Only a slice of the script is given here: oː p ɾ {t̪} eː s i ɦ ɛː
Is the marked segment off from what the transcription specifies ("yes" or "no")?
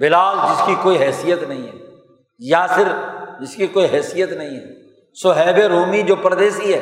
yes